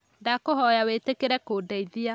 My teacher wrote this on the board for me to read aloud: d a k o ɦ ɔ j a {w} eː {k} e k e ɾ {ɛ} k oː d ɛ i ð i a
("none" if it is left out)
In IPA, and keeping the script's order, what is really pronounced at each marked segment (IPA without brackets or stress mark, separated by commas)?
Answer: w, t, ɛ